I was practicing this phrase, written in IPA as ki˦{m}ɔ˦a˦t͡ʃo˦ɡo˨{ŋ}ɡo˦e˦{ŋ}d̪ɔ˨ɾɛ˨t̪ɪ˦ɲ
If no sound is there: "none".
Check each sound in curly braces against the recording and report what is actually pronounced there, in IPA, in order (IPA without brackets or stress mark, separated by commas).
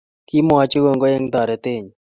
m, ŋ, ŋ